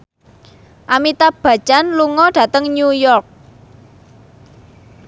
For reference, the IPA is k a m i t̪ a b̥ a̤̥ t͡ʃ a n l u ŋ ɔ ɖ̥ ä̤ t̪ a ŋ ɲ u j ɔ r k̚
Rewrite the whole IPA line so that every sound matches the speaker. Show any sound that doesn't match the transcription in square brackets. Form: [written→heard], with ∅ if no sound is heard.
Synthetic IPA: [k→ʔ] a m i t̪ a b̥ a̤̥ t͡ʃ a n l u ŋ ɔ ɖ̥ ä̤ t̪ [a→ə] ŋ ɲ u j ɔ r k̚